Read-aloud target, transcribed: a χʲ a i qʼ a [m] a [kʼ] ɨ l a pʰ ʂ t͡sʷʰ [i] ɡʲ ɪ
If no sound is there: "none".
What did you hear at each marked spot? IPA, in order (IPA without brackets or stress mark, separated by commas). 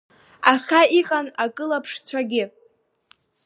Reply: n, kʼ, a